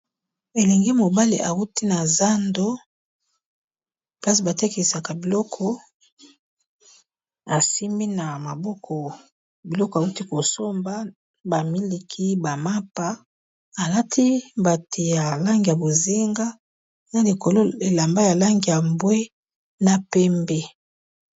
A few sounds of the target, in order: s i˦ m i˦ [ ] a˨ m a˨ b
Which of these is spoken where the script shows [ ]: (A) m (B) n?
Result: B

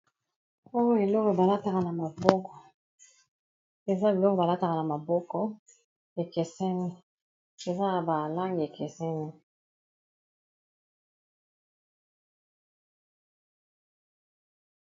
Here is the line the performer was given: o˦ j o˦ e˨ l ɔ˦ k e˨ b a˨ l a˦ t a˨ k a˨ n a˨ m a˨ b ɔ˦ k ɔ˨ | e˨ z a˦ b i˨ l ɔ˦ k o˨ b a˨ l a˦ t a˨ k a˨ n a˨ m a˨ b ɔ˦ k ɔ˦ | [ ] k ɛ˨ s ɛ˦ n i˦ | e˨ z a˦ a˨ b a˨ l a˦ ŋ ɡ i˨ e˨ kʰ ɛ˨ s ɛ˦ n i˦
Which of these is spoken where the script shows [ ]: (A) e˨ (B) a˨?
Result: A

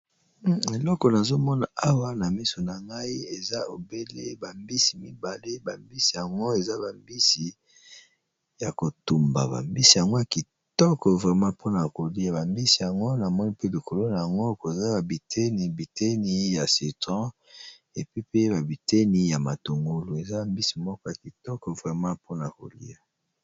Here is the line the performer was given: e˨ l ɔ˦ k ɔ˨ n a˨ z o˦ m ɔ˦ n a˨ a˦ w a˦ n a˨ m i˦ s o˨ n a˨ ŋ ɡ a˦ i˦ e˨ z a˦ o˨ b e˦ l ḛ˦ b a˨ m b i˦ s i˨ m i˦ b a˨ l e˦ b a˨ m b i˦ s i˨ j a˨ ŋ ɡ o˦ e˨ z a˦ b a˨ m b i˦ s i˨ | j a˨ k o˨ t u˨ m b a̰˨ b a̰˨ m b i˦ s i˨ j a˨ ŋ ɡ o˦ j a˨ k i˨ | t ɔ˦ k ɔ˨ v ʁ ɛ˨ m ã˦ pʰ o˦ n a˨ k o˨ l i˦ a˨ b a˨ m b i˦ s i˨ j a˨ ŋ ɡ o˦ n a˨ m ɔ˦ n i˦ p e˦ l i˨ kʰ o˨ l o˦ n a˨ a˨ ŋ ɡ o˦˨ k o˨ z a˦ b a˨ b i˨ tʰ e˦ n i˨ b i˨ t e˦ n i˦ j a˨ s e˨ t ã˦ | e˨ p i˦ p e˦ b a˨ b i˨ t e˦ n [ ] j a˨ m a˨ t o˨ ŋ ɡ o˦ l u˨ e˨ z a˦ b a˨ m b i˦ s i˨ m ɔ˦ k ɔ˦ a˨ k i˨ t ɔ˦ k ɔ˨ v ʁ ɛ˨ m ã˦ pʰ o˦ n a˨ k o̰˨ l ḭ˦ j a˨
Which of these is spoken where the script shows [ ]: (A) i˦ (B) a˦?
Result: A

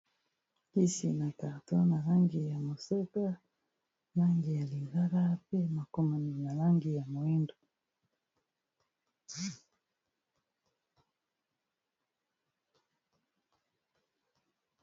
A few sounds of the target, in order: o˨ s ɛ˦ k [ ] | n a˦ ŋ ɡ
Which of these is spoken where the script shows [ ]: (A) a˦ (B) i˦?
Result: A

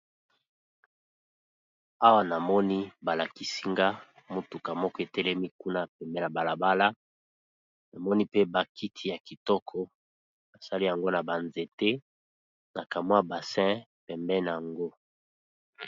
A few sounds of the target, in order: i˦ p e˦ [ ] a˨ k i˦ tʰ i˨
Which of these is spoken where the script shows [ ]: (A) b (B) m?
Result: A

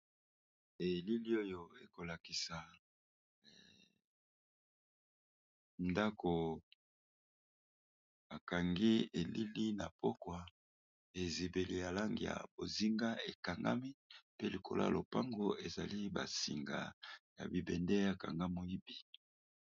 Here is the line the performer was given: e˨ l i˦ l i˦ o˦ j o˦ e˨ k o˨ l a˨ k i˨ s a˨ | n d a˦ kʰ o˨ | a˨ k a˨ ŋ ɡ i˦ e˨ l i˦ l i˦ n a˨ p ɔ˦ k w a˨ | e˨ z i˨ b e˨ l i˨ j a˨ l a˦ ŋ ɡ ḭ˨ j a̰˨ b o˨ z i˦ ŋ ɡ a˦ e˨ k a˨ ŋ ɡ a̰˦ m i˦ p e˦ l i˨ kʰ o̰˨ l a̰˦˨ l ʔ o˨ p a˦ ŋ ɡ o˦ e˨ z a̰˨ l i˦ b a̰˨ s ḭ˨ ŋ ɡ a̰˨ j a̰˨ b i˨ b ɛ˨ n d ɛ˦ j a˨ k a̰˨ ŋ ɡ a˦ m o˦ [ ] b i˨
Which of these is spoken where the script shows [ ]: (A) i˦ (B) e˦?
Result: A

